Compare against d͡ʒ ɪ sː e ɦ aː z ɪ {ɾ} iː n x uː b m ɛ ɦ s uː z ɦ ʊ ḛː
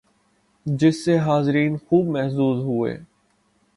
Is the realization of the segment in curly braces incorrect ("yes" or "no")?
no